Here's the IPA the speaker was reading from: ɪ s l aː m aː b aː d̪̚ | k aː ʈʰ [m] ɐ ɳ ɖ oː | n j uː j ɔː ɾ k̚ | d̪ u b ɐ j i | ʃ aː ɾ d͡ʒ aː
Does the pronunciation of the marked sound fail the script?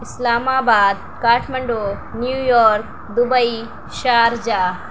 no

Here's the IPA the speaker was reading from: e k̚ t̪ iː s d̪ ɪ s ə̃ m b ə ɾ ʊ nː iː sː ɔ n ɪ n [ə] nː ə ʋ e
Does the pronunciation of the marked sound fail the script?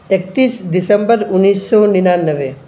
yes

